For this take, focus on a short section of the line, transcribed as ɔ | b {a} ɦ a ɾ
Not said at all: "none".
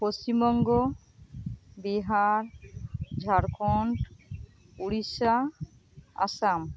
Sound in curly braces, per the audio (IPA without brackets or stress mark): i